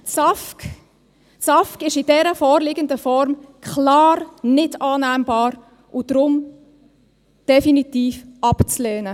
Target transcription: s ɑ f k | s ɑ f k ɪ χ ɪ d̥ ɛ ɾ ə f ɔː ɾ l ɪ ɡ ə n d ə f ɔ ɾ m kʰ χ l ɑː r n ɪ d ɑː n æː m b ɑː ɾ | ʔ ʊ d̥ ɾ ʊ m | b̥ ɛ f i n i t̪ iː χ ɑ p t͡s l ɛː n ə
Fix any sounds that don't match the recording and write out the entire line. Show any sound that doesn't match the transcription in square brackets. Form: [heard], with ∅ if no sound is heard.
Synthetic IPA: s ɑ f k | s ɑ f k ɪ [ʃ] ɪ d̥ ɛ ɾ ə f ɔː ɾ l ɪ ɡ ə n d ə f ɔ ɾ m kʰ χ l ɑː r n ɪ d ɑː n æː m b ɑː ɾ | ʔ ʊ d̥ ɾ ʊ m | [d̥] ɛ f i n i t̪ iː [f] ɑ p t͡s l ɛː n ə